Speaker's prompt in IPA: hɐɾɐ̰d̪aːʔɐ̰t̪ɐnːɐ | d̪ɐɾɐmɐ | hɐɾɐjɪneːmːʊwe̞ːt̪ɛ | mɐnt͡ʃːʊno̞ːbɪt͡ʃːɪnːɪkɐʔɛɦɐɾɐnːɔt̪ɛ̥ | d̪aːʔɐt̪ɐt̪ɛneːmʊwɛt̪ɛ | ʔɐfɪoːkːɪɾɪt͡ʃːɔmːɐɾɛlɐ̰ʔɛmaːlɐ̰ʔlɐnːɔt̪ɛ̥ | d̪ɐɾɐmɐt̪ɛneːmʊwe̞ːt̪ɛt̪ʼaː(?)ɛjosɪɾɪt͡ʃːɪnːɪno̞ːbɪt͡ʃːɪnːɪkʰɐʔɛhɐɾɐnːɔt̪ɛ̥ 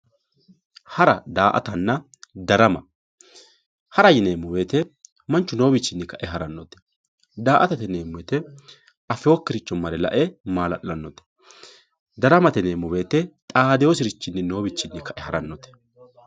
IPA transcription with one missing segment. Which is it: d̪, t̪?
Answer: d̪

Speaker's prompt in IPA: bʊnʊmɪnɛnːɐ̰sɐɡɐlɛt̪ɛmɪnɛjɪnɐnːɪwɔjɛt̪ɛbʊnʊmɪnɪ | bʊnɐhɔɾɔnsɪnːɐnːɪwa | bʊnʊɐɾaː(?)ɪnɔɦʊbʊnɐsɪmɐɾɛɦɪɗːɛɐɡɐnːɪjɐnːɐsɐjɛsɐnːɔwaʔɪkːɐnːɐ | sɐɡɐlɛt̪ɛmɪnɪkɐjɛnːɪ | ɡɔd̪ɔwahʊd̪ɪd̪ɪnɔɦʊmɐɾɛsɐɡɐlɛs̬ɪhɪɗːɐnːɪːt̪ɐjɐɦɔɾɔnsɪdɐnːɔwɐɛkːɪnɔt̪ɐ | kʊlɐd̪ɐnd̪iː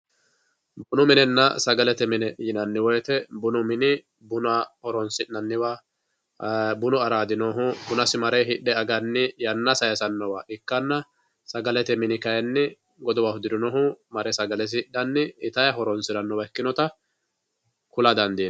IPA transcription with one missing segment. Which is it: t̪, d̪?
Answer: d̪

